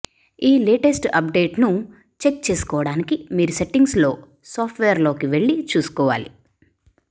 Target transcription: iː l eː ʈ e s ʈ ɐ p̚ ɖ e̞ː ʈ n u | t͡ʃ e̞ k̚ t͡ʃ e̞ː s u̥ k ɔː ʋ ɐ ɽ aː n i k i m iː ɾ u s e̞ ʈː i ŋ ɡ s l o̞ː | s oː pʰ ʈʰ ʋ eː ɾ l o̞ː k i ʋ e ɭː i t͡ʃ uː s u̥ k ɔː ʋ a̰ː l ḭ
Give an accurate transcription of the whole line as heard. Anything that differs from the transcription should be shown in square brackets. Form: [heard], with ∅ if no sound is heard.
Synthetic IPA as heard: iː l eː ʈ e s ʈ ɐ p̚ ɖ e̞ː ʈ n u | t͡ʃ e̞ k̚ t͡ʃ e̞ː s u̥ k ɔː ʋ ɐ ɽ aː n i k i m iː ɾ u s e̞ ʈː i ŋ ɡ s l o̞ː | s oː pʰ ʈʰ ʋ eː ɾ l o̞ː k i ʋ e ɭː i t͡ʃ uː s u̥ k ɔː ʋ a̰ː l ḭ